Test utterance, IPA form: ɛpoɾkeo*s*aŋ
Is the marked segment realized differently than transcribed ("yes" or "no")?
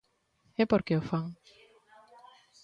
yes